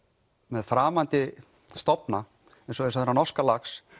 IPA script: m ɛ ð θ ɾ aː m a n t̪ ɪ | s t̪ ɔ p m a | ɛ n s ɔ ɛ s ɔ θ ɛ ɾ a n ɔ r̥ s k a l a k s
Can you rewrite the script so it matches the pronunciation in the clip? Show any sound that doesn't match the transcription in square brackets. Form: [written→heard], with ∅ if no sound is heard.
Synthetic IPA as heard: m ɛ ð [θ→f] ɾ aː m a n t̪ ɪ | s t̪ ɔ p [m→n] a | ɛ n s ɔ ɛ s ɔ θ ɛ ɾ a n ɔ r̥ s k a l a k s